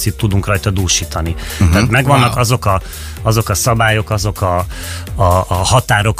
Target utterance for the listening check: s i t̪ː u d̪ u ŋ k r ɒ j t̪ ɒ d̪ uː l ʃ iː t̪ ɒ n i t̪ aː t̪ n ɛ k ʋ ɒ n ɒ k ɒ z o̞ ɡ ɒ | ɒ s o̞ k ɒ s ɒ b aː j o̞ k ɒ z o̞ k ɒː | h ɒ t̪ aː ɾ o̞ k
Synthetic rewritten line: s i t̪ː u d̪ u ŋ k r ɒ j t̪ ɒ d̪ uː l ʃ iː t̪ ɒ n i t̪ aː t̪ m ɛ ɡ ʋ ɒ nː ɒ k ɒ z o̞ k ɒ | ɒ z o̞ k ɒ s ɒ b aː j o̞ k ɒ z o̞ k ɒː | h ɒ t̪ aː ɾ o̞ k